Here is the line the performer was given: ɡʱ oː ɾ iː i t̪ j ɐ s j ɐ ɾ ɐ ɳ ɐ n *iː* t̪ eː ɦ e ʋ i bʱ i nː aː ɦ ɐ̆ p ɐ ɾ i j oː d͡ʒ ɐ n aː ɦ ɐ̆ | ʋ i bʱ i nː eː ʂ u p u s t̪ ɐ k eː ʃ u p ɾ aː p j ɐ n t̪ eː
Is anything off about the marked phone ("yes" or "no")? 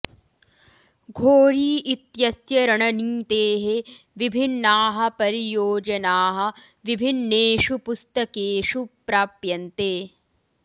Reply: no